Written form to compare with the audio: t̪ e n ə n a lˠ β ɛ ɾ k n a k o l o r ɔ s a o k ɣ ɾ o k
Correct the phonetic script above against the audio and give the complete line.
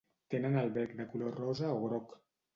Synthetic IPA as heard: t̪ e n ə n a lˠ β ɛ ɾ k n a k u l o r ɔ z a o ɣ ɾ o k